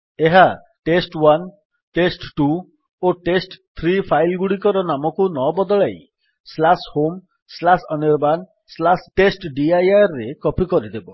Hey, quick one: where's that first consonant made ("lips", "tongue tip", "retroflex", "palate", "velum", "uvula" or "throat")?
throat